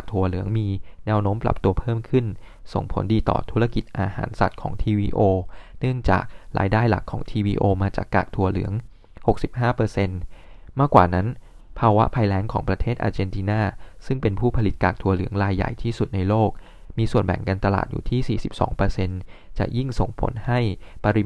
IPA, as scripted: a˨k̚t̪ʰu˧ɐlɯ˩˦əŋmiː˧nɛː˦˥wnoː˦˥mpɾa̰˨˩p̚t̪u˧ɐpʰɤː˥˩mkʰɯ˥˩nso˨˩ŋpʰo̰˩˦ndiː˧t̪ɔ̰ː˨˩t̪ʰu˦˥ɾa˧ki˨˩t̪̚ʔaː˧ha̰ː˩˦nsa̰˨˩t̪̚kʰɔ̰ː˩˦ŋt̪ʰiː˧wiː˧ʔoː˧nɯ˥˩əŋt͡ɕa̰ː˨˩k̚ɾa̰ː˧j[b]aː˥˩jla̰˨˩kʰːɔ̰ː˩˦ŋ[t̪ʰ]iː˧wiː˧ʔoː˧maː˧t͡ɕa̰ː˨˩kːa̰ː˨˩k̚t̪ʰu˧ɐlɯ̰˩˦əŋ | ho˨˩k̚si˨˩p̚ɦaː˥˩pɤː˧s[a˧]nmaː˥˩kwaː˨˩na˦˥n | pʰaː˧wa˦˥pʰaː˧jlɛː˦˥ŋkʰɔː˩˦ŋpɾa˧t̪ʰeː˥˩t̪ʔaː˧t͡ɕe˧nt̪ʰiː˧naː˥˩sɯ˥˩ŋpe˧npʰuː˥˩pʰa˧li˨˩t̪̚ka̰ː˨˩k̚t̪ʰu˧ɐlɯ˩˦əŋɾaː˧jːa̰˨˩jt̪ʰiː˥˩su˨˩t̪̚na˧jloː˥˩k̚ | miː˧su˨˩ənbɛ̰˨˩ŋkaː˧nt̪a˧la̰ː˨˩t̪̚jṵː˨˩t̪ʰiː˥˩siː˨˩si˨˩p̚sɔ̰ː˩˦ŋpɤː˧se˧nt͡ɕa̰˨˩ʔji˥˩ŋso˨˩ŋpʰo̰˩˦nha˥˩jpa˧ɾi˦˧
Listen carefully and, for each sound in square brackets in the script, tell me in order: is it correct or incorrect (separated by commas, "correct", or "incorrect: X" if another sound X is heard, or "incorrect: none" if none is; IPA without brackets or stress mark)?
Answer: incorrect: d, correct, incorrect: e˧